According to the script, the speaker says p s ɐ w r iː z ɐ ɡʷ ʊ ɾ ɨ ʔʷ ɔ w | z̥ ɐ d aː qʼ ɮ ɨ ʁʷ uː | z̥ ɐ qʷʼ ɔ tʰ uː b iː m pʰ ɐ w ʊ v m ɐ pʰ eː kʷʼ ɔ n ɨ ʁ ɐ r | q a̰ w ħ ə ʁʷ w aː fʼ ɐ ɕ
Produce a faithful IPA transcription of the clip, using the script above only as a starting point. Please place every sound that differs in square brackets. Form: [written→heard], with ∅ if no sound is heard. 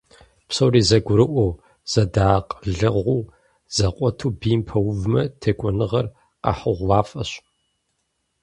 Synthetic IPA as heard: p s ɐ w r iː z ɐ ɡʷ ʊ ɾ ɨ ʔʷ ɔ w | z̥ ɐ d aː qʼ ɮ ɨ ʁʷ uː | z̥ ɐ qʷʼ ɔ tʰ uː b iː m pʰ ɐ w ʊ v m ɐ [pʰ→tʰ] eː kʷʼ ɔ n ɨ ʁ ɐ r | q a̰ [w→∅] ħ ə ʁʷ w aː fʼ ɐ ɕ